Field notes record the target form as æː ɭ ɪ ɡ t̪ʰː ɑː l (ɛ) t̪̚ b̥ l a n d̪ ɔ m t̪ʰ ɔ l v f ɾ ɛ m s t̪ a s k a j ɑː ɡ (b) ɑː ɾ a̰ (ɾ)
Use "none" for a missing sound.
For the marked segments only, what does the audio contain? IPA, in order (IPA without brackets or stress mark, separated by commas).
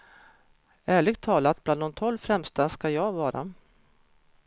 a, v, none